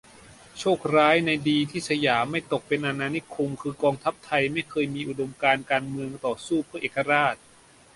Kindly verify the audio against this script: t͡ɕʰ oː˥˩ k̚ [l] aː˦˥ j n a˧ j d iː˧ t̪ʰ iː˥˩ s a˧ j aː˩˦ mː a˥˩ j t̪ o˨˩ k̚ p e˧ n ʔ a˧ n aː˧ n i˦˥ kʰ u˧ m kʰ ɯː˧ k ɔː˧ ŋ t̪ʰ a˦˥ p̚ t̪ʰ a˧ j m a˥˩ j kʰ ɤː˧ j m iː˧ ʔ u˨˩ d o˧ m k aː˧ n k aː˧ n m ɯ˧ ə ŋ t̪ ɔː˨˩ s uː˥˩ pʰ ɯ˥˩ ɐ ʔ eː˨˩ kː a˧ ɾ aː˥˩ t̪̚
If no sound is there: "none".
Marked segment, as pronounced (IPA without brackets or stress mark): ɾ